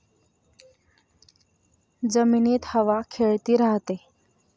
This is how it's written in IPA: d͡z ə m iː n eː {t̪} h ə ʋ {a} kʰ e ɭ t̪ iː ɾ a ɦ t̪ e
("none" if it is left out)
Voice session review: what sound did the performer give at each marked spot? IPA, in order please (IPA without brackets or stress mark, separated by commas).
t̪, a